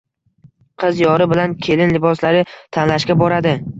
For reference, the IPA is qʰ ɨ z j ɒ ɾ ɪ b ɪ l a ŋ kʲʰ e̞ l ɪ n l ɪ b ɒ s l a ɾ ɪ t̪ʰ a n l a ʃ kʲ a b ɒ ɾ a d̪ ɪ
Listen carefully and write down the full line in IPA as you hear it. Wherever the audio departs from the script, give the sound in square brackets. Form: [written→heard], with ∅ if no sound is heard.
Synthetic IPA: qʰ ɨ z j ɒ ɾ ɪ b ɪ l a [ŋ→n] kʲʰ e̞ l ɪ n l ɪ b ɒ s l a ɾ ɪ t̪ʰ a n l a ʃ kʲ a b ɒ ɾ a d̪ ɪ